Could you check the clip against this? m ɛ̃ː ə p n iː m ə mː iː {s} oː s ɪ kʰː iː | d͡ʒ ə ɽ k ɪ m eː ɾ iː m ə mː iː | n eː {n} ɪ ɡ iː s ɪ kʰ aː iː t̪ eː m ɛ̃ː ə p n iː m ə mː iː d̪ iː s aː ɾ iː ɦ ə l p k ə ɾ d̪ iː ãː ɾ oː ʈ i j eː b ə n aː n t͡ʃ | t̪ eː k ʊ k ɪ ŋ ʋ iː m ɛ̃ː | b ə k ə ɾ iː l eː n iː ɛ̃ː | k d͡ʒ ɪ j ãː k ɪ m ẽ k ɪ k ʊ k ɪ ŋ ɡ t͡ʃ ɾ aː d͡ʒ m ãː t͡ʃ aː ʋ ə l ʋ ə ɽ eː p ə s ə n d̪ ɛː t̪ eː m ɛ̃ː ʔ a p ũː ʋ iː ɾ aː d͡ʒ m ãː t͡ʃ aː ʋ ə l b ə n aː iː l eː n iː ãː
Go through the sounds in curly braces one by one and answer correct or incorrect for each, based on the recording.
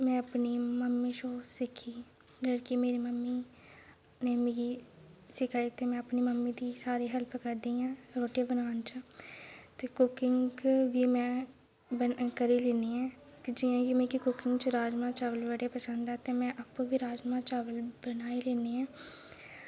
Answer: incorrect, incorrect

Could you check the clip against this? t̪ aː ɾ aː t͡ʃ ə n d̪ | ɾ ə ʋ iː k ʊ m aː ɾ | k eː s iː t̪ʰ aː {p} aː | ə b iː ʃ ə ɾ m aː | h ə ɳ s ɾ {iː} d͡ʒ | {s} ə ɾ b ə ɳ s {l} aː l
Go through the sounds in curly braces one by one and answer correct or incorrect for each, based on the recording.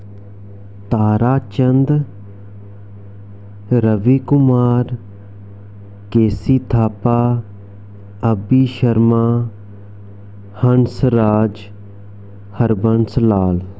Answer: correct, incorrect, incorrect, correct

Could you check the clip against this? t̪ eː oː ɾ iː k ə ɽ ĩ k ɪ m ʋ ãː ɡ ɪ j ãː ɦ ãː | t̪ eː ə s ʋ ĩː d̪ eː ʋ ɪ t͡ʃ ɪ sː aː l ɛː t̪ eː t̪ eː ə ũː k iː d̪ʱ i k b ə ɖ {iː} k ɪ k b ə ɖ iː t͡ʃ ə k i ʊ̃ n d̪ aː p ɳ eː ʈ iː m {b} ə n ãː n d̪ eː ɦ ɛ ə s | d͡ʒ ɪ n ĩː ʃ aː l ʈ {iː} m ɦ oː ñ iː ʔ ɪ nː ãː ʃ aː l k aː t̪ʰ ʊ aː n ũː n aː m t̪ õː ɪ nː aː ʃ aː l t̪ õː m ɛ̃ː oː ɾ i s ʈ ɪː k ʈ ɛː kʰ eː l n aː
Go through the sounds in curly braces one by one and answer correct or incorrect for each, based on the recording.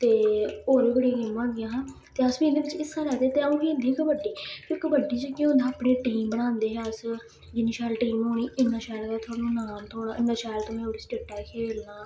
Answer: correct, correct, correct

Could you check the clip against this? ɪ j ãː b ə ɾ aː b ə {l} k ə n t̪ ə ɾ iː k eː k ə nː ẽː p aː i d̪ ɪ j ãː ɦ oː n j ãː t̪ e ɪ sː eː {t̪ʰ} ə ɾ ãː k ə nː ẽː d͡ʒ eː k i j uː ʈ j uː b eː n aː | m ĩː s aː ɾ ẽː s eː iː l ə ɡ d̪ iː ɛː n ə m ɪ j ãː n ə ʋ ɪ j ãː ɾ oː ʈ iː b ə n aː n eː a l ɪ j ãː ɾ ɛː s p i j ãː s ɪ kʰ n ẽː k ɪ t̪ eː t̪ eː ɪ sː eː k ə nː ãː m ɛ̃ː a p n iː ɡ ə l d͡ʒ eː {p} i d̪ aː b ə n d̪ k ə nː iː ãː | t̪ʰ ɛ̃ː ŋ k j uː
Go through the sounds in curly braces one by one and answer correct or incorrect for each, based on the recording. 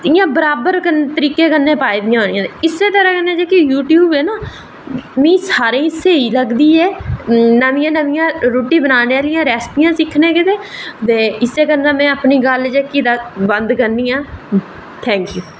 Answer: incorrect, incorrect, incorrect

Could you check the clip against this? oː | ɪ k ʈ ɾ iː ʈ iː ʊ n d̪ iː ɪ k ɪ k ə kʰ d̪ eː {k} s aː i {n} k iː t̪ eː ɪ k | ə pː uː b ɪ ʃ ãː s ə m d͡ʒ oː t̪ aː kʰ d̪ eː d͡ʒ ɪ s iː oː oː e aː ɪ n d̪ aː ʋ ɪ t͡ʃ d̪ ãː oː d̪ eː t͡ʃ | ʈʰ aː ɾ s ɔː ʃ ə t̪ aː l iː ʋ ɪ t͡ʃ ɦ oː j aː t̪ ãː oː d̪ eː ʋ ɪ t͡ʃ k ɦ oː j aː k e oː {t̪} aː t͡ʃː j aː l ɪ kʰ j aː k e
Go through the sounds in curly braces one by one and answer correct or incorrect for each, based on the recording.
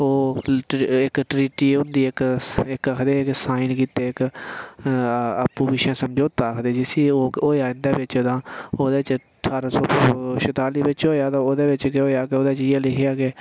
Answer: correct, correct, incorrect

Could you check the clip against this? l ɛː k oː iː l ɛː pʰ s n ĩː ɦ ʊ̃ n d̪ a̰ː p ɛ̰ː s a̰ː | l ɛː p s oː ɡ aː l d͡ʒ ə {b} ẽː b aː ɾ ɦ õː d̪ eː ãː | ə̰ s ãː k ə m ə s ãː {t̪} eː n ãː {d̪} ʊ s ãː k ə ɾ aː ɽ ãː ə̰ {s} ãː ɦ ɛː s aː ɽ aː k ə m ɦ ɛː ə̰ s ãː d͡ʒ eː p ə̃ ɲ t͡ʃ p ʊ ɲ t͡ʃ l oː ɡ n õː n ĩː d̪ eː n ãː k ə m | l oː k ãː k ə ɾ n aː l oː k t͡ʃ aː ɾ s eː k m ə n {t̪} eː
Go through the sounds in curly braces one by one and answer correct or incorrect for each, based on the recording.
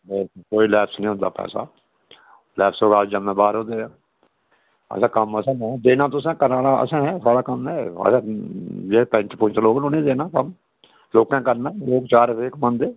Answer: incorrect, incorrect, incorrect, correct, incorrect

